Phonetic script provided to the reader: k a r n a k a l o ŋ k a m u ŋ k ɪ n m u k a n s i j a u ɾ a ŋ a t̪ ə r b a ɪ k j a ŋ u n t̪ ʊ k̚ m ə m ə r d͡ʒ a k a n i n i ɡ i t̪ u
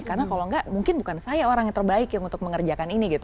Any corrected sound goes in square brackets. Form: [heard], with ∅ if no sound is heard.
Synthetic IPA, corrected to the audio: k a r n a k a l o ŋ [ɡ] a m u ŋ k ɪ n [b] u k a n s [a] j a [o] ɾ a ŋ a t̪ ə r b a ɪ k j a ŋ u n t̪ ʊ k̚ m ə [ŋ] ə r d͡ʒ a k a n i n i ɡ i t̪ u